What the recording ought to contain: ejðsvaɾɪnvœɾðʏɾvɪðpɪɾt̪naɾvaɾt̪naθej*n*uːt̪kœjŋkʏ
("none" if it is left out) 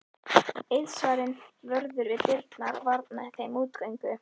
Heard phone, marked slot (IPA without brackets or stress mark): m